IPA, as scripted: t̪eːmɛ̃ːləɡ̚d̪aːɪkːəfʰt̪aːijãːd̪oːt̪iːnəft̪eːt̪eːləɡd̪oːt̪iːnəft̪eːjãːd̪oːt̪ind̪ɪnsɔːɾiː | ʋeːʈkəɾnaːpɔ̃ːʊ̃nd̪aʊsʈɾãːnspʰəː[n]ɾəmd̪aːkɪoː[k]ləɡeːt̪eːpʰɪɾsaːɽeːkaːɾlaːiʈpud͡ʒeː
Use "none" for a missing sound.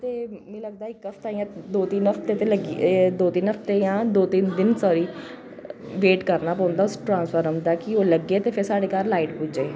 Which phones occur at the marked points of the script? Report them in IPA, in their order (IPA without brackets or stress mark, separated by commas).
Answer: none, none